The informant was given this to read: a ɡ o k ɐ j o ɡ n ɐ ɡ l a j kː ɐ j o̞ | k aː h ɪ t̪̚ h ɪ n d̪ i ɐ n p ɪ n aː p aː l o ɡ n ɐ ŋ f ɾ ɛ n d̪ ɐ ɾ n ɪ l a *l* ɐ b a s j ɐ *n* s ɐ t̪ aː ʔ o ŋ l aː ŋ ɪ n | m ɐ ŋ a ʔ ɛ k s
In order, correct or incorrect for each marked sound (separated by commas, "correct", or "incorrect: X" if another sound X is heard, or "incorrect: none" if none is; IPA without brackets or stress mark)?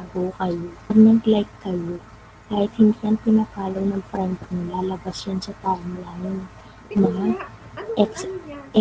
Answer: correct, correct